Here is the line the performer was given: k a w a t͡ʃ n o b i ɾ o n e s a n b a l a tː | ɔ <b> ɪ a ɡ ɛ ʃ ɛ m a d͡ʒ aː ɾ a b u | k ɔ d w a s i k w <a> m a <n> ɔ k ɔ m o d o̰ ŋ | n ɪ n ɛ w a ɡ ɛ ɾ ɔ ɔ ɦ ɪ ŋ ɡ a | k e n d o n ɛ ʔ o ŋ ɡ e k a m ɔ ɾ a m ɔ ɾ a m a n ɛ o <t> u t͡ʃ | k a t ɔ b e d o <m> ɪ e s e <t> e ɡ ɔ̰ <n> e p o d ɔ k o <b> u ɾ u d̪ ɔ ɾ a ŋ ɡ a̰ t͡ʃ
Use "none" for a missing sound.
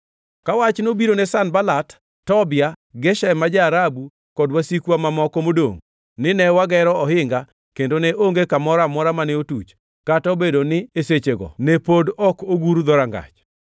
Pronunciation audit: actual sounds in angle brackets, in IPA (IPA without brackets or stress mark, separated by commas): b, a, m, t, n, t͡ʃ, n, ɡ